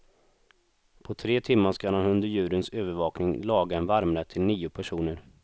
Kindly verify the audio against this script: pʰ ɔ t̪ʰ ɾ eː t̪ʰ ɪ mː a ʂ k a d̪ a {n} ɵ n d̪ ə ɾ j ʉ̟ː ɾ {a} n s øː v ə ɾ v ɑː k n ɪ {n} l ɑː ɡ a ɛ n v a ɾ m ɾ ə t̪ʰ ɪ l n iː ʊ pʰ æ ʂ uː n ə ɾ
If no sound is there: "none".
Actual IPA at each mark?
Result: n, ə, ŋ

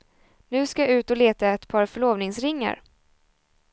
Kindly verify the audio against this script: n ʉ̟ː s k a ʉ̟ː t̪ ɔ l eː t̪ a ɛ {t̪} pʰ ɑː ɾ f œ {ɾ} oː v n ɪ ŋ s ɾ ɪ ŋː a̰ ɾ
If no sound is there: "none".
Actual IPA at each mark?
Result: t̪, ɭ

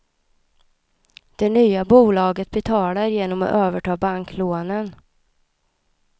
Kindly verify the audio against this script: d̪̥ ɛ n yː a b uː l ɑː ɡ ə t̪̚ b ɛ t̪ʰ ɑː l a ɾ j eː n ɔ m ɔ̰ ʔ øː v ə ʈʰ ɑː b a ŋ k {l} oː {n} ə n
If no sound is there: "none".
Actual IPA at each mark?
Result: l, n

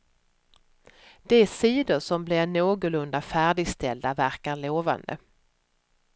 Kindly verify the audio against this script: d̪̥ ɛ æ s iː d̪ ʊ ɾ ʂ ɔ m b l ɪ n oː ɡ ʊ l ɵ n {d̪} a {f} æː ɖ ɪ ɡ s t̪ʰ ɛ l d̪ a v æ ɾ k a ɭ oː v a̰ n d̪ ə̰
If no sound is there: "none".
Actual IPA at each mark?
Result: d̪, f

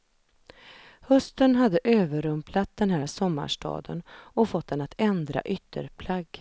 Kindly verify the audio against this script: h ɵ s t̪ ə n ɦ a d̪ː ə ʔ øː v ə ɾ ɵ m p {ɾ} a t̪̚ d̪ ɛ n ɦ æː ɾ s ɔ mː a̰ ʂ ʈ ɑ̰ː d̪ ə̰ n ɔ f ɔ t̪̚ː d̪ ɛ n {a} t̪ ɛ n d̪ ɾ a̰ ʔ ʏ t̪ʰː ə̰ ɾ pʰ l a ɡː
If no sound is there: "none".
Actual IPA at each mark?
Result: l, a

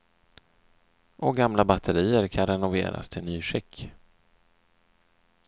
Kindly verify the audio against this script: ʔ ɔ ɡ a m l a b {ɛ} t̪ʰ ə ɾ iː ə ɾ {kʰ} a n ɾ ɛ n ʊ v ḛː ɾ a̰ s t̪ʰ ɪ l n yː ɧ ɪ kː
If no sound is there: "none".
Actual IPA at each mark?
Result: a, kʰ

